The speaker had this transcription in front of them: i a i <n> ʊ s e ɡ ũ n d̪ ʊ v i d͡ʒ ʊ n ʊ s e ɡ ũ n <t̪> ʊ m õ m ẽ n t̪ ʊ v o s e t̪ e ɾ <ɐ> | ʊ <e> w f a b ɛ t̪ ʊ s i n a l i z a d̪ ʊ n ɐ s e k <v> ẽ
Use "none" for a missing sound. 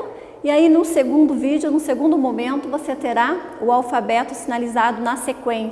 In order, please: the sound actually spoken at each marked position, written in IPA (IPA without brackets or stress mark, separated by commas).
n, d̪, a, a, w